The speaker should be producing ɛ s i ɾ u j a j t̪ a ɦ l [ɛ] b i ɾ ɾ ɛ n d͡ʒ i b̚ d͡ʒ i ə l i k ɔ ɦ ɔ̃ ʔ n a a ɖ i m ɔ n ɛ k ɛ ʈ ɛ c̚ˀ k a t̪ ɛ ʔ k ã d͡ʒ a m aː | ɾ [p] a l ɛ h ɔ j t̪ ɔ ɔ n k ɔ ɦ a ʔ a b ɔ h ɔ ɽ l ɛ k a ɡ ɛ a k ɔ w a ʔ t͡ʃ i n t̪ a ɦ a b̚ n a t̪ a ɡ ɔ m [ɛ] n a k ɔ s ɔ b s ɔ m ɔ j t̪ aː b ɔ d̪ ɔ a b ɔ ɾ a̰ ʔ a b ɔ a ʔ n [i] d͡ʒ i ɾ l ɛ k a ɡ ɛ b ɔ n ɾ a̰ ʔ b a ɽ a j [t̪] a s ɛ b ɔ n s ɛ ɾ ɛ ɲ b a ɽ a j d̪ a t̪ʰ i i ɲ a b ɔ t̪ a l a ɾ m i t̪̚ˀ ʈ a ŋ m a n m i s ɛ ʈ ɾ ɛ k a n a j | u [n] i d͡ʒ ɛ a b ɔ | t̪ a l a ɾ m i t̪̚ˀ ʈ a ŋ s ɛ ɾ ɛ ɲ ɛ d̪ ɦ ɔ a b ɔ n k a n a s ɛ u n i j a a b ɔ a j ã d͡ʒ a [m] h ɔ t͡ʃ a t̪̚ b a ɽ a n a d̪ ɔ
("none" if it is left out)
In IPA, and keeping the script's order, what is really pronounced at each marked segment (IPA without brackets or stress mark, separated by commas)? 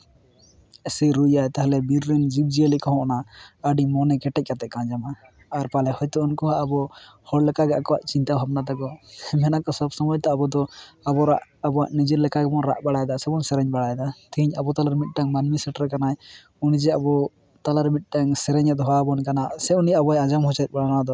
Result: ɛ, p, ɛ, i, d̪, n, m